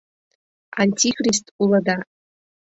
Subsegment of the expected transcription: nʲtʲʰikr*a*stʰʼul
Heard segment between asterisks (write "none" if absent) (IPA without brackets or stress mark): i